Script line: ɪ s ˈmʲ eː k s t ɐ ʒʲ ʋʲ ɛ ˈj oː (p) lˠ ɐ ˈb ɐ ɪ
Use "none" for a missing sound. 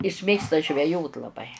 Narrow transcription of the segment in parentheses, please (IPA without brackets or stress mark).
t